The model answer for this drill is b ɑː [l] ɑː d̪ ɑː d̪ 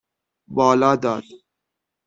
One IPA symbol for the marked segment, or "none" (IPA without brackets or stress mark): l